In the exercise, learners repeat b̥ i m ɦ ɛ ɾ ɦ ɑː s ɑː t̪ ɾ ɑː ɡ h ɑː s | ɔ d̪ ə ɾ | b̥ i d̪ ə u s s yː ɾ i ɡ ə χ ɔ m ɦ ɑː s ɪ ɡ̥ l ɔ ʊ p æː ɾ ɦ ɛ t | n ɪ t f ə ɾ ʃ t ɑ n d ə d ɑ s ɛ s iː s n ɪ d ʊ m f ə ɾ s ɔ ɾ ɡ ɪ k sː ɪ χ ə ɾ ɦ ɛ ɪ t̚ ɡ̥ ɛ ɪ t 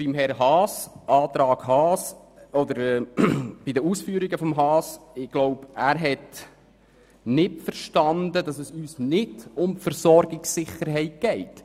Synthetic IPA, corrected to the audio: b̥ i m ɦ ɛ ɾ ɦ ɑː s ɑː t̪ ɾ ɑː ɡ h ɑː s | ɔ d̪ ə ɾ | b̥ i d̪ ə u s f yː ɾ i ɡ ə f ɔ m ɦ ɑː s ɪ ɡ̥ l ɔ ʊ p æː ɾ ɦ ɛ t | n ɪ t f ə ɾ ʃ t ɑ n d ə d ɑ s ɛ s yː s n ɪ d ʊ m f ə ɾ s ɔ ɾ ɡ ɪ k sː ɪ χ ə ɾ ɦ ɛ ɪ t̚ ɡ̥ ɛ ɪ t